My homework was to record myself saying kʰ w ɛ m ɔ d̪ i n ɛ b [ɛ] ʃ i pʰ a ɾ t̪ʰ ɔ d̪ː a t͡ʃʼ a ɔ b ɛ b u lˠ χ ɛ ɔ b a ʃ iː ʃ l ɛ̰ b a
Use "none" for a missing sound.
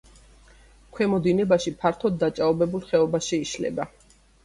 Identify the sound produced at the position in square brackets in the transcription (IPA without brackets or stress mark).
a